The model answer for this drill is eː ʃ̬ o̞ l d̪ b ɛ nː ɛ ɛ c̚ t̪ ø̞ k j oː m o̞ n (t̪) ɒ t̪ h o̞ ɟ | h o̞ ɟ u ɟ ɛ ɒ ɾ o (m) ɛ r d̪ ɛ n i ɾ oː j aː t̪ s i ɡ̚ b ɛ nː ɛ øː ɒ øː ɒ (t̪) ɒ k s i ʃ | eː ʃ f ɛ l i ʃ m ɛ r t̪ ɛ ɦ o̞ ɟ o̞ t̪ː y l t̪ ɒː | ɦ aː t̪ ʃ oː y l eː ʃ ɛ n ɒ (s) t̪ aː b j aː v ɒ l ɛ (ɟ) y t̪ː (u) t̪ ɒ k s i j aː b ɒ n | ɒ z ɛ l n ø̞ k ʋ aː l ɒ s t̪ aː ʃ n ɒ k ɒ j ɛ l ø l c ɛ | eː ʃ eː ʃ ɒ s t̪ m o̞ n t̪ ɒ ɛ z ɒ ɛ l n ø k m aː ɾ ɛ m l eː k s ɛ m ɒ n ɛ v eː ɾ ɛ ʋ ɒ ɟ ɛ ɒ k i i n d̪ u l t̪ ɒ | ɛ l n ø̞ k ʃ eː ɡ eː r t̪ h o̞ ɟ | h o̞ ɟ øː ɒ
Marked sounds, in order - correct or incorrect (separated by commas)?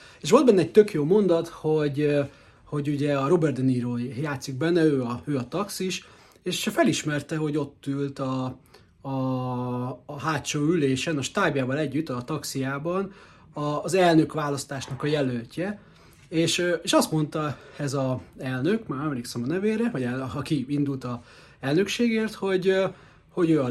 incorrect, incorrect, correct, incorrect, incorrect, incorrect